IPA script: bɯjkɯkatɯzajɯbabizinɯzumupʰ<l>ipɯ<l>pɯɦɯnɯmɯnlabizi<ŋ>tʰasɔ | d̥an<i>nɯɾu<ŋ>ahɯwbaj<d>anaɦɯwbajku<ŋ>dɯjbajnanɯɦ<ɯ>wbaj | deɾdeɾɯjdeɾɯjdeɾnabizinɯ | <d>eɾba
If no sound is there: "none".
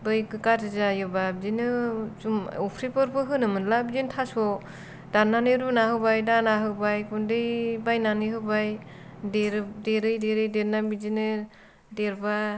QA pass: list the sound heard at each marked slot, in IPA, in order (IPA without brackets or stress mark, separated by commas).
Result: ɾ, ɾ, n, a, n, d, n, ɯ, d